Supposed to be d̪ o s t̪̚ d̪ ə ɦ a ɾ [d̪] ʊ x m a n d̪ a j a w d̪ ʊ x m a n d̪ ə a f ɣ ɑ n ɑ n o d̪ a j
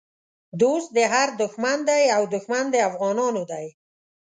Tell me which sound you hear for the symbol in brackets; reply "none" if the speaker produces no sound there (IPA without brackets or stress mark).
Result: d̪